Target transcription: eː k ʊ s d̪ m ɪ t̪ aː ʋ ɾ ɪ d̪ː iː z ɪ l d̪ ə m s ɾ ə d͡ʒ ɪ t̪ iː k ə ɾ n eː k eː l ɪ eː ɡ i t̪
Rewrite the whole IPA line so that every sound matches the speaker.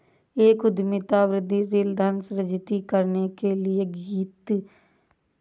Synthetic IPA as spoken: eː k ʊ d̪ m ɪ t̪ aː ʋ ɾ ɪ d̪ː iː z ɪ l d̪ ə n s ɾ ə d͡ʒ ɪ t̪ iː k ə ɾ n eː k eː l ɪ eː ɡ iː t̪